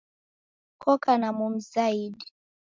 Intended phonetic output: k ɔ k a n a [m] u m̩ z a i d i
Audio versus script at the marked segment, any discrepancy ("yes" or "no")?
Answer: no